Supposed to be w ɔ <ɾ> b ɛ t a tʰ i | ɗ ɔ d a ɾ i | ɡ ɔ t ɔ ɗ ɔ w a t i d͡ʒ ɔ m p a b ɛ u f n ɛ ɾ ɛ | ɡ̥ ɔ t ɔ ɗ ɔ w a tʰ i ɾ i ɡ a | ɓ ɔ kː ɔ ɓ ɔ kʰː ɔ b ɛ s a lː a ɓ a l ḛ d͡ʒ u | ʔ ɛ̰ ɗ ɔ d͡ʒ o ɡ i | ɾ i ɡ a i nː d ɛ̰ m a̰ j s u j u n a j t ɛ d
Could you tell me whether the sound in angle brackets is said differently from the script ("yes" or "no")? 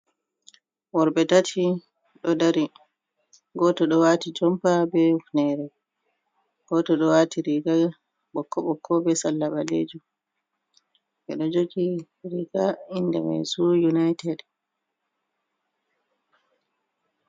no